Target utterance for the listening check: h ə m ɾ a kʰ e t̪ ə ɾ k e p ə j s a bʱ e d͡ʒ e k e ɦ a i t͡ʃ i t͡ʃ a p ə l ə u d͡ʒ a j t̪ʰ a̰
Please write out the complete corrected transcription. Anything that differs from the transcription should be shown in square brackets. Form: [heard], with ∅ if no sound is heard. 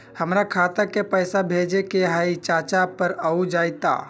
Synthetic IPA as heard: h ə m ɾ a kʰ [a] t̪ ə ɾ k e p ə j s a bʱ e d͡ʒ e k e ɦ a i t͡ʃ [a] t͡ʃ a p ə [ɾ] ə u d͡ʒ a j [t̪] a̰